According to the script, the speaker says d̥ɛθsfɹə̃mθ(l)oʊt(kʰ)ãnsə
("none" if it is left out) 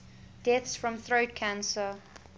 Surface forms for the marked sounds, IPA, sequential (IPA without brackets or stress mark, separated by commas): ɹ, kʰ